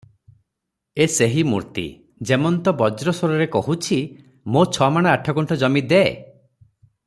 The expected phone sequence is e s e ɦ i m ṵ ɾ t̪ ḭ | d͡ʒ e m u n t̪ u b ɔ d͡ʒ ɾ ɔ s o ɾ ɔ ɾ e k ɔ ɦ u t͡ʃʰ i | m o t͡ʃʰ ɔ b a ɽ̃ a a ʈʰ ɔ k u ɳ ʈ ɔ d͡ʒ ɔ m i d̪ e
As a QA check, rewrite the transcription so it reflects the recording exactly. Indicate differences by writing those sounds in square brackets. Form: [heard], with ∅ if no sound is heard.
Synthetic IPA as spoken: e s e ɦ i m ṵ ɾ t̪ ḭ | d͡ʒ e m [ɔ] n t̪ [ɔ] b ɔ d͡ʒ ɾ ɔ s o ɾ ɔ ɾ e k ɔ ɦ u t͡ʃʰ i | m o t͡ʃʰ ɔ [m] a ɽ̃ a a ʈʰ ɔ k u ɳ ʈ ɔ d͡ʒ ɔ m i d̪ e